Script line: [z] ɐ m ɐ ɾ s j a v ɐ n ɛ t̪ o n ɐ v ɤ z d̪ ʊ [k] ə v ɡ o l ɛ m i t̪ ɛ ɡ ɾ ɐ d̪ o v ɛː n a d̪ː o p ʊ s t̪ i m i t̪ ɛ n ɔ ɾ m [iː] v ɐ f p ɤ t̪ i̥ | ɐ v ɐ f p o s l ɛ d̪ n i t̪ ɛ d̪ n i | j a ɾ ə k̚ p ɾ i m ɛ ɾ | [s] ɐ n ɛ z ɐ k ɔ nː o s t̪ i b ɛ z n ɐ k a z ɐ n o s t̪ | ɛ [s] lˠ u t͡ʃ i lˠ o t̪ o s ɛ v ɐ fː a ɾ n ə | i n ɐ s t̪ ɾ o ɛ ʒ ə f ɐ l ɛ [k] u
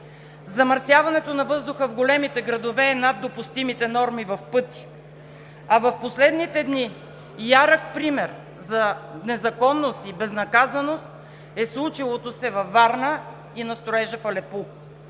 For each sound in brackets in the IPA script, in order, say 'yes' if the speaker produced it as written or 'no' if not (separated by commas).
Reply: yes, no, no, no, yes, no